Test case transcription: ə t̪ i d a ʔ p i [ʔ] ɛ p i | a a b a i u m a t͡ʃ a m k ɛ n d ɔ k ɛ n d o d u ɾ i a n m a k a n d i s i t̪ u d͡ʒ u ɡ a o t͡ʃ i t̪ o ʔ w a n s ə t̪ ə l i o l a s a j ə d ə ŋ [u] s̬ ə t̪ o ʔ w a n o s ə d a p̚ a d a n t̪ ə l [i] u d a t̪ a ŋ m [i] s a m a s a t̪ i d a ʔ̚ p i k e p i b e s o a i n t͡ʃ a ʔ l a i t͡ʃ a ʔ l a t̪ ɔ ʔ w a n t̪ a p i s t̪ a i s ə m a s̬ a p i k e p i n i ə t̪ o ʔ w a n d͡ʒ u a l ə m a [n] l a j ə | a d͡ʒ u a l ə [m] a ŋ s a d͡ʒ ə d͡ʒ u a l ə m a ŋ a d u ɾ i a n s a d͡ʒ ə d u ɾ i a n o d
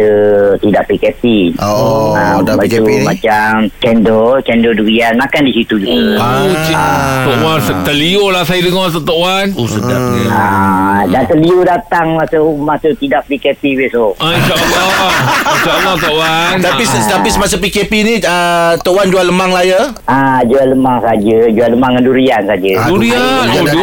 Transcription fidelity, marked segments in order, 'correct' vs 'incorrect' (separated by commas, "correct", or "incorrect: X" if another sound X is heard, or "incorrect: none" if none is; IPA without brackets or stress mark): incorrect: k, incorrect: ɔ, correct, incorrect: a, incorrect: ŋ, correct